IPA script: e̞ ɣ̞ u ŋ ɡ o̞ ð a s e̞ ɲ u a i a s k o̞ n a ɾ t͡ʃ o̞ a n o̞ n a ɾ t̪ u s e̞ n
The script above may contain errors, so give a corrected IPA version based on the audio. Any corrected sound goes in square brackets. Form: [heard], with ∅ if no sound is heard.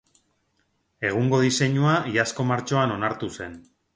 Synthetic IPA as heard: e̞ ɣ̞ u ŋ ɡ o̞ ð [i] s e̞ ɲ u a i a s k o̞ [m] a ɾ t͡ʃ o̞ a n o̞ n a ɾ t̪ u s e̞ n